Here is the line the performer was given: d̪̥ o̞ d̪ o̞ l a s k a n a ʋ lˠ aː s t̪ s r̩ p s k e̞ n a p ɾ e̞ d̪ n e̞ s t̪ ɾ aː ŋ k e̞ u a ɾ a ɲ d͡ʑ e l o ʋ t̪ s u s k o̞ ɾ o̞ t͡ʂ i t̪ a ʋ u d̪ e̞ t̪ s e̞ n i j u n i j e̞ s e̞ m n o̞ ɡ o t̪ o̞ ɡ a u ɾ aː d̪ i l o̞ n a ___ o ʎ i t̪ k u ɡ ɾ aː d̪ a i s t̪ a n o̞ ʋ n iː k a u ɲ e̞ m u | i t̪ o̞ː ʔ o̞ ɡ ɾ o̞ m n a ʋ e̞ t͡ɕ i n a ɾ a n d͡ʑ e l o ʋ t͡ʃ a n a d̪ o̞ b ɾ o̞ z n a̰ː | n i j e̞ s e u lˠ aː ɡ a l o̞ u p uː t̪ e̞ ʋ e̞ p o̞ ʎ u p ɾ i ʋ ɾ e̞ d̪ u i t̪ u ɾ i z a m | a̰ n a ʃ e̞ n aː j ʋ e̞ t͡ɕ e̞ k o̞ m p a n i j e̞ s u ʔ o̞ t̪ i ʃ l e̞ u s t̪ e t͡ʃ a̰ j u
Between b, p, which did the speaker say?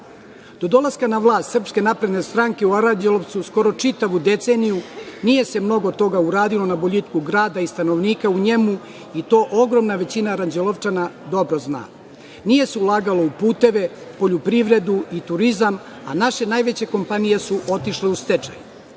b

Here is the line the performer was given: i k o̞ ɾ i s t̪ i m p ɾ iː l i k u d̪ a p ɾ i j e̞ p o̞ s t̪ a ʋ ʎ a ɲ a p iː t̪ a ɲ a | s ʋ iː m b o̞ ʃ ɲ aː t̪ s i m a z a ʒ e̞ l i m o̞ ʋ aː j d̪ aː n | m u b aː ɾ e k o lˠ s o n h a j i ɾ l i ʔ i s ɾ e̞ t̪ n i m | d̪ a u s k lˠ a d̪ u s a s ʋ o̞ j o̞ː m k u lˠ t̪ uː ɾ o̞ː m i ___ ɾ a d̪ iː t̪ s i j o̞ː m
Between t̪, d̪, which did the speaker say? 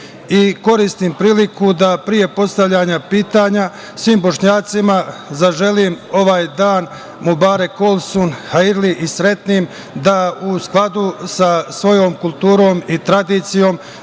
t̪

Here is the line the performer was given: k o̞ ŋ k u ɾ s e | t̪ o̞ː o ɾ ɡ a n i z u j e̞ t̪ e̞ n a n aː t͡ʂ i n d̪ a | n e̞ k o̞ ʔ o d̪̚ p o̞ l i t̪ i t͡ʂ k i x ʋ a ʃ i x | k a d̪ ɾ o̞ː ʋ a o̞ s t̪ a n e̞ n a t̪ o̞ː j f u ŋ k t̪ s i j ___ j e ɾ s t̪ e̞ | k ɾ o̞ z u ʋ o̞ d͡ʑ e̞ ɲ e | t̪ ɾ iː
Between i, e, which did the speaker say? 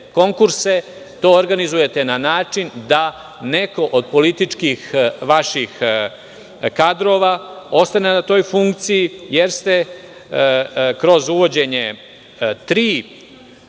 i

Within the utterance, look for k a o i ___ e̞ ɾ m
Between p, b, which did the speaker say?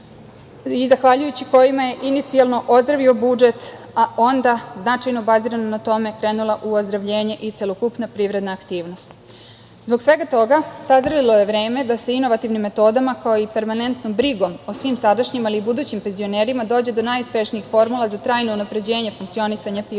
p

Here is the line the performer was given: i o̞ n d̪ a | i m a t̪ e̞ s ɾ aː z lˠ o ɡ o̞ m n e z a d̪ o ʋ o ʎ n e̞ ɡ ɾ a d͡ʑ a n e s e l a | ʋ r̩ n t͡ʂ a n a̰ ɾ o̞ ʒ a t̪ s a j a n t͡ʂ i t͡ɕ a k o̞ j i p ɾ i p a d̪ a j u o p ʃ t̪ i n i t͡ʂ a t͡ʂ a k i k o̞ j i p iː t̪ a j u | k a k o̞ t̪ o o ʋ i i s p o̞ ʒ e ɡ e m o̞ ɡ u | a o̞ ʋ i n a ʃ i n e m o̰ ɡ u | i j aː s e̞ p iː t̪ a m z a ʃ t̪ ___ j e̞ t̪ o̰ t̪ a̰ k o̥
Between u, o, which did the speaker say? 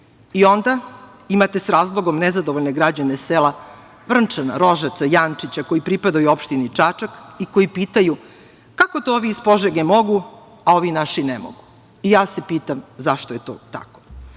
o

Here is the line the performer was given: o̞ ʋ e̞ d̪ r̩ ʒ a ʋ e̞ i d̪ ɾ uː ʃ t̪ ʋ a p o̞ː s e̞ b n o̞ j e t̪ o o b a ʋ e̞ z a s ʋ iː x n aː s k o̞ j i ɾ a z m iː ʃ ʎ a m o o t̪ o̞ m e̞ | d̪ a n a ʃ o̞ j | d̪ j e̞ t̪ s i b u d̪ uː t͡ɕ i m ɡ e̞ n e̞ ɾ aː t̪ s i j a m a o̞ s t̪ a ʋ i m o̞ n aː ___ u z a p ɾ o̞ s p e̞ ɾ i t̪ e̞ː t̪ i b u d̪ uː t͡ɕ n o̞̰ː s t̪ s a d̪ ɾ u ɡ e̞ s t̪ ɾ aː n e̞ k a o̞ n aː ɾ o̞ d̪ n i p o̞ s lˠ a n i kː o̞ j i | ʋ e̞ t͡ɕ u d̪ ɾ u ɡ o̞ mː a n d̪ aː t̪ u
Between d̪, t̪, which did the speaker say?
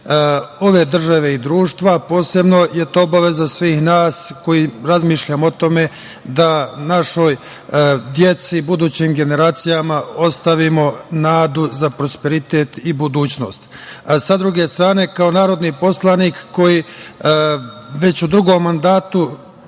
d̪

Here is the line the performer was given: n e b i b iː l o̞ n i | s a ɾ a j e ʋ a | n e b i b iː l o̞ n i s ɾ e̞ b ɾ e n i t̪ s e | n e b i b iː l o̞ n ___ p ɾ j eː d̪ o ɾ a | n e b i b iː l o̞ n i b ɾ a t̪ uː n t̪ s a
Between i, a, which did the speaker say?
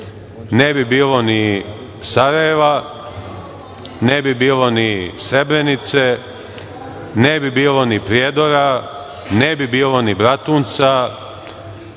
i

